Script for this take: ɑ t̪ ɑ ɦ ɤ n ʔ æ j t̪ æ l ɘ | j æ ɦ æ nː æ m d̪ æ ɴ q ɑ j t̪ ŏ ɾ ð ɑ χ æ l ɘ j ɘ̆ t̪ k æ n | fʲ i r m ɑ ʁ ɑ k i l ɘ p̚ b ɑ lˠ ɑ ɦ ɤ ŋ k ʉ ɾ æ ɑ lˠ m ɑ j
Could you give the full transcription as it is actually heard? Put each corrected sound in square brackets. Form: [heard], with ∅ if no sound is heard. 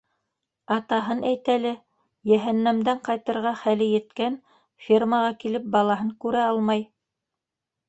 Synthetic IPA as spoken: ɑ t̪ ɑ ɦ ɤ n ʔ æ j t̪ æ l ɘ | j æ ɦ æ nː æ m d̪ æ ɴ q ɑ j t̪ [ɤ̆] ɾ [ʁ] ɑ χ æ l ɘ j ɘ̆ t̪ k æ n | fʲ i r m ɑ ʁ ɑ k i l ɘ p̚ b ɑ lˠ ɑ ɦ ɤ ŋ k ʉ ɾ æ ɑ lˠ m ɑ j